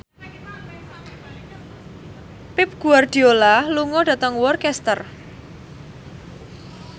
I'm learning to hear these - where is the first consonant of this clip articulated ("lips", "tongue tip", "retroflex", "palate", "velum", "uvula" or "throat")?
lips